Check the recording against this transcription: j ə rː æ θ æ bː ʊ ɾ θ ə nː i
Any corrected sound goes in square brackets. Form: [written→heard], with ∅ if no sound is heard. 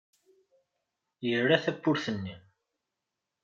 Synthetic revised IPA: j ə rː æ θ æ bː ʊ ɾ θ ə nː i